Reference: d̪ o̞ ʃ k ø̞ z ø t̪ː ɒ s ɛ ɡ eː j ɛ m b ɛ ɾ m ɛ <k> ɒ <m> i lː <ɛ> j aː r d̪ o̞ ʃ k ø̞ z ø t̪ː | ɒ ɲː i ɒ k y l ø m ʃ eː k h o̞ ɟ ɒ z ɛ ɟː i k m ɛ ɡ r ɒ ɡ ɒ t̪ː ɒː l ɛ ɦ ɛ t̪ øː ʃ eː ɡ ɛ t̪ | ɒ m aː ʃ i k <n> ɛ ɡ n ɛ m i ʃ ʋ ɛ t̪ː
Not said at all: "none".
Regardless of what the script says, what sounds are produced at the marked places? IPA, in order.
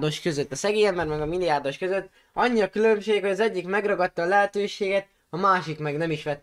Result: ɡ, m, i, m

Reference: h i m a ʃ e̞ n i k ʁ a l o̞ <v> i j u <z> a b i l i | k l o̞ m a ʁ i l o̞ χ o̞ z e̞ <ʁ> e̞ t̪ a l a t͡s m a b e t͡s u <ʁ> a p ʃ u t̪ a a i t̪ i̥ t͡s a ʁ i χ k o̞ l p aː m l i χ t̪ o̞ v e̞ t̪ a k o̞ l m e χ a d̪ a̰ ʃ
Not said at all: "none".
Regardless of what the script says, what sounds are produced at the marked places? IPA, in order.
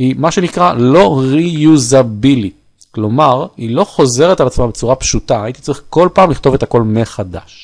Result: ʁ, z, ʁ, ʁ

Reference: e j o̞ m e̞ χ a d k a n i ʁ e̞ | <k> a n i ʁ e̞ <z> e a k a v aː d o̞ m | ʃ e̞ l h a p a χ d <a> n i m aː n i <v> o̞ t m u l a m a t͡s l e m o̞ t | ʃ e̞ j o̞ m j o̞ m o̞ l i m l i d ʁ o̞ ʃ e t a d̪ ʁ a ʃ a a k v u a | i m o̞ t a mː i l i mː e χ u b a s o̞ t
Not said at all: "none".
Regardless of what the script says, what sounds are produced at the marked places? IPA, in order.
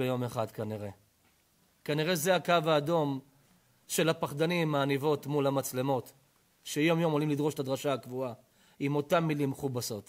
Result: k, z, a, v

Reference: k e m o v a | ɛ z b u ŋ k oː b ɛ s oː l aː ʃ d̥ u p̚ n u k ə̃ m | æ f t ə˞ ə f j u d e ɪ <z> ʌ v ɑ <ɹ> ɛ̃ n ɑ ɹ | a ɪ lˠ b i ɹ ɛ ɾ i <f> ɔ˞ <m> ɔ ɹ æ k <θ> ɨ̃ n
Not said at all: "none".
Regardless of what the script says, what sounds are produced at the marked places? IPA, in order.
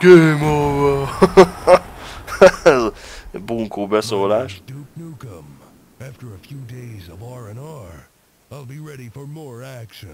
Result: z, ɹ, f, m, ʃ

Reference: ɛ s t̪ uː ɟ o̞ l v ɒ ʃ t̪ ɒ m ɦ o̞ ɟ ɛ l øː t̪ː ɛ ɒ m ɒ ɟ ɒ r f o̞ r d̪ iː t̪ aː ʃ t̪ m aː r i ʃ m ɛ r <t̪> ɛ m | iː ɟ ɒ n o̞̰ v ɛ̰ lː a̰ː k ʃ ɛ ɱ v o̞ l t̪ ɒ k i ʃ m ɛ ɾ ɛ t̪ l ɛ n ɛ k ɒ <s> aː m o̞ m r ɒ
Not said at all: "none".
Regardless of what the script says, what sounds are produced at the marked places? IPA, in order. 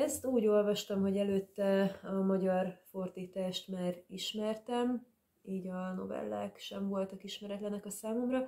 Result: t̪, s

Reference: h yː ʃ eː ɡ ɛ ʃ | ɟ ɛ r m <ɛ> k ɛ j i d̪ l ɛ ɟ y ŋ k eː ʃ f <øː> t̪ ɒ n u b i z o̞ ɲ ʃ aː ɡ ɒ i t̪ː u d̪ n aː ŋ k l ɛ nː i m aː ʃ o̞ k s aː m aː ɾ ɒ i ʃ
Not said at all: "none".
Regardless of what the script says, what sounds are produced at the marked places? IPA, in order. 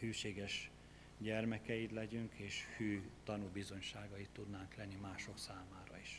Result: ɛ, yː

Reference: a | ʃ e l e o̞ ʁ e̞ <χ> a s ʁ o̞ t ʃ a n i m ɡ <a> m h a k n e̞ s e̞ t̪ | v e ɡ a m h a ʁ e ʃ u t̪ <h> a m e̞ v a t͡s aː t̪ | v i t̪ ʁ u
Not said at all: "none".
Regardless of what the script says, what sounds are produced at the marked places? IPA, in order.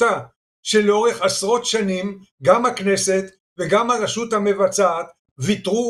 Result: χ, a, h

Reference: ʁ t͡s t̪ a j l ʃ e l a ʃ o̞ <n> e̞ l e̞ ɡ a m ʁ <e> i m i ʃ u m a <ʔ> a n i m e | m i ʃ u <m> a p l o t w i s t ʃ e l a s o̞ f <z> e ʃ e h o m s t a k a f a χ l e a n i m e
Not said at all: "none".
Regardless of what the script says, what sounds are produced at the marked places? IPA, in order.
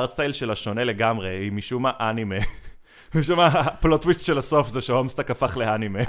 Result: n, e, ʔ, m, z

